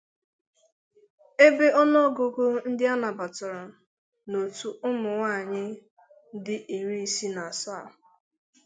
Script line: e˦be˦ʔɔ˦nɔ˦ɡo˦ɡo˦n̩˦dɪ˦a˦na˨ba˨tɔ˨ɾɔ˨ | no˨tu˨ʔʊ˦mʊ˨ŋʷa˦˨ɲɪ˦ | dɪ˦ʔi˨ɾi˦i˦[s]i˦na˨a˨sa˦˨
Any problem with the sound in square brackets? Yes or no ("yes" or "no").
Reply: no